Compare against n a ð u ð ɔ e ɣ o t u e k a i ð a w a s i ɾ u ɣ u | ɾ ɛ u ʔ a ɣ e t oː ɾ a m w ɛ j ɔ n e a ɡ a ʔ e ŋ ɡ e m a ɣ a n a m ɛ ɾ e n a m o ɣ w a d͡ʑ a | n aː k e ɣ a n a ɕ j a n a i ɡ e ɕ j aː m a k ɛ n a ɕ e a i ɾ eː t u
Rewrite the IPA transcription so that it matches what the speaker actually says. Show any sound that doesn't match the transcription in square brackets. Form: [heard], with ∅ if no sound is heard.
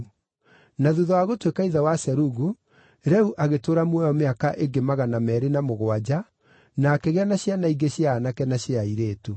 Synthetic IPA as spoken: n a ð u ð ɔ [a] ɣ o t [w] e k a i ð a w a s [ɛ] ɾ u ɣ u | ɾ ɛ u ʔ a ɣ e t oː ɾ a m w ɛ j ɔ [m] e a [k] a ʔ e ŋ ɡ e m a ɣ a n a m ɛ ɾ e n a m o ɣ w a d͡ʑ a | n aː k e ɣ [ɛ] n a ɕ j a n a i ɡ e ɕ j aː [n] a k ɛ n a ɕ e a i ɾ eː t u